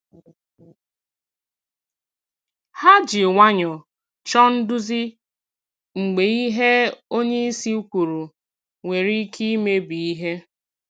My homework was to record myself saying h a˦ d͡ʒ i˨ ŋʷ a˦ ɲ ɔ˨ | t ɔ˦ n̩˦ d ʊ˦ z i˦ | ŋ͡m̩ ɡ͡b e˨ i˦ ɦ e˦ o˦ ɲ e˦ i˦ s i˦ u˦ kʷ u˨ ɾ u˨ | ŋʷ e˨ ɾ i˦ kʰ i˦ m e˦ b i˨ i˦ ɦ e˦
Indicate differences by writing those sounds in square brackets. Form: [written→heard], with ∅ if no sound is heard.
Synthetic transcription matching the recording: h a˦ d͡ʒ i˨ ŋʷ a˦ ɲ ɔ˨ | [t→t͡ʃ] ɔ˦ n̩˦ d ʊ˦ z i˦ | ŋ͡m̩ ɡ͡b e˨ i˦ ɦ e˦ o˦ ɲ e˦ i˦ s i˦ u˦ kʷ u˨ ɾ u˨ | ŋʷ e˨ ɾ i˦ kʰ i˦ m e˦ b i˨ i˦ ɦ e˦